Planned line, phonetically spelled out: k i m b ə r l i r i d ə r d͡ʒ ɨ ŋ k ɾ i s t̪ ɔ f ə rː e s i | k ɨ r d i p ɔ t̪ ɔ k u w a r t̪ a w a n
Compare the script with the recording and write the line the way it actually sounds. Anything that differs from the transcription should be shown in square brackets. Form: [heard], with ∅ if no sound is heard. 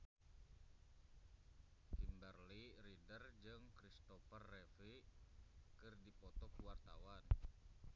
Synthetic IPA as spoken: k i m b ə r l i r i d ə r d͡ʒ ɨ ŋ k ɾ i s t̪ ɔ f ə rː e [f] i | k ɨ r d i p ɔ t̪ ɔ k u w a r t̪ a w a n